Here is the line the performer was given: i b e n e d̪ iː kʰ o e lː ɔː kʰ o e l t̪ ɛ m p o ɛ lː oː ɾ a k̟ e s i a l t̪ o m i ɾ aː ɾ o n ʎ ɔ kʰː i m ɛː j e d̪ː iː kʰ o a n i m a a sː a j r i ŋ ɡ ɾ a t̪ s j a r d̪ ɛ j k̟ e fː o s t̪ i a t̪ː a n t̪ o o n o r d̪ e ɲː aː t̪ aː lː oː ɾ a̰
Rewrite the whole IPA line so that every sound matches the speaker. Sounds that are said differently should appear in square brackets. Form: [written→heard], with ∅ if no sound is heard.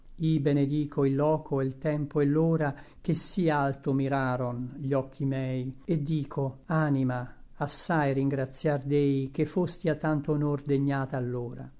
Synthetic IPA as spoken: i b e n e d̪ iː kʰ o [e→i] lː ɔː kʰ o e l t̪ ɛ m p o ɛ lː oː ɾ a k̟ e s i a l t̪ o m i ɾ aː ɾ o n ʎ ɔ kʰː i m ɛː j e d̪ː iː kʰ o a n i m a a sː a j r i ŋ ɡ ɾ a t̪ s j a r d̪ ɛ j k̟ e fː o s t̪ i a t̪ː a n t̪ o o n o r d̪ e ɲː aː t̪ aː lː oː ɾ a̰